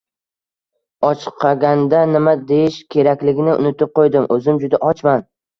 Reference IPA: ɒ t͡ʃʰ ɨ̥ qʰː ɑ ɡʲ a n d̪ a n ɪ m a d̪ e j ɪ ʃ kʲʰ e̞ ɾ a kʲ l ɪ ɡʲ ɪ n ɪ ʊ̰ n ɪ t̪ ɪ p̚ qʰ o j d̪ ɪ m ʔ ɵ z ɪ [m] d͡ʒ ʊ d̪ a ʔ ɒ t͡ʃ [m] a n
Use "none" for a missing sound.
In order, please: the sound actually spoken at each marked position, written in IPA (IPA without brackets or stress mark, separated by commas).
m, m